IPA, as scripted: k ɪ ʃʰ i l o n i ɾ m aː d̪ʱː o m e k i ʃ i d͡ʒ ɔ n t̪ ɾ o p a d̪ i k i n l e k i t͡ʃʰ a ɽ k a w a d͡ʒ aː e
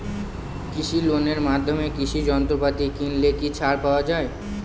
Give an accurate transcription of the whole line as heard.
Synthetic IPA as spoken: k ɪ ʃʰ i l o n e ɾ m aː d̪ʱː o m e k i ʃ i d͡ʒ ɔ n t̪ ɾ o p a t̪ i k i n l e k i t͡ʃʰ a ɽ p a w a d͡ʒ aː e

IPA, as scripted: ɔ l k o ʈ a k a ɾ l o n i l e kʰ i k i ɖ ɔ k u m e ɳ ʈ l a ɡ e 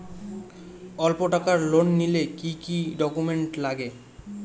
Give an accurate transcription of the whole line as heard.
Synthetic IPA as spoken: ɔ l p o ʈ a k a ɾ l o nː i l e k i k i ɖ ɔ k u m e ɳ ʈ l a ɡ e

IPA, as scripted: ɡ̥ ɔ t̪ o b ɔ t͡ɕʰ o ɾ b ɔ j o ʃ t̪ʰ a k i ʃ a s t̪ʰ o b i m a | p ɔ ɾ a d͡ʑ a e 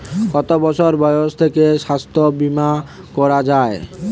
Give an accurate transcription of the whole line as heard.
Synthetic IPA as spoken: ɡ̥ ɔ t̪ o b ɔ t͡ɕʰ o ɾ b ɔ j o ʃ t̪ʰ e k e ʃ a s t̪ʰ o b i m a | k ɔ ɾ a d͡ʑ a e

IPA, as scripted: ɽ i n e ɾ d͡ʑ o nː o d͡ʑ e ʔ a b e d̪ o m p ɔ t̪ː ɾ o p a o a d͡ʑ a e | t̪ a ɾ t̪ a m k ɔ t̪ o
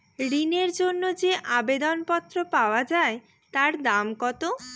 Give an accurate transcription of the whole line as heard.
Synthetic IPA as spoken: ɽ i n e ɾ d͡ʑ o nː o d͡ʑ e ʔ a b e d̪ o n p ɔ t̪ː ɾ o p a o a d͡ʑ a e | t̪ a ɾ d̪ a m k ɔ t̪ o

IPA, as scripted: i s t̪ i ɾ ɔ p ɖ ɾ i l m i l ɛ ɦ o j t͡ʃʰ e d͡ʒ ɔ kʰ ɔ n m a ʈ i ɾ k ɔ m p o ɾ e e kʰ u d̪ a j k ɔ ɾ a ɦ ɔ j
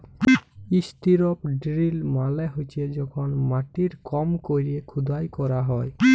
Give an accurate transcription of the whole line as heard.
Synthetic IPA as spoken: i s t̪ i ɾ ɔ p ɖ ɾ i l m a l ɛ ɦ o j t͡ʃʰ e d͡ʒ ɔ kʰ ɔ n m a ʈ i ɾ k ɔ m k o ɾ i e kʰ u d̪ a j k ɔ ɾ a ɦ ɔ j

